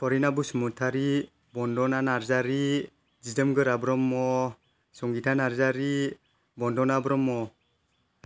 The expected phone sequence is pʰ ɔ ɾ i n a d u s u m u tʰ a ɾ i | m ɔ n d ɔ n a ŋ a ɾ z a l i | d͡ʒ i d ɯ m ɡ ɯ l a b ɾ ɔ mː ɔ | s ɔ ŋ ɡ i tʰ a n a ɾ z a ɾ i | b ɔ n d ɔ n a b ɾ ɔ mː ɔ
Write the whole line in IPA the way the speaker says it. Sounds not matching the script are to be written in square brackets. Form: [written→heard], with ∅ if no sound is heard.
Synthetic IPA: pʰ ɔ ɾ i n a [d→b] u s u m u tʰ a ɾ i | [m→b] ɔ n d ɔ n a [ŋ→n] a ɾ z a [l→ɾ] i | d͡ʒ i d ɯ m ɡ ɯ [l→ɾ] a b ɾ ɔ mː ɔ | s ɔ ŋ ɡ i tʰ a n a ɾ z a ɾ i | b ɔ n d ɔ n a b ɾ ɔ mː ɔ